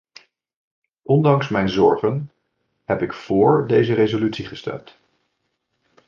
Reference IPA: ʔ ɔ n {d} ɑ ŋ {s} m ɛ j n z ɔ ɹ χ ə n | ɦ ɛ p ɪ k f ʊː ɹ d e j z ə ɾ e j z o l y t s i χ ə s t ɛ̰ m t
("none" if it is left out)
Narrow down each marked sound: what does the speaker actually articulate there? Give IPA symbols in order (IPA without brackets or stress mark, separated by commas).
d, s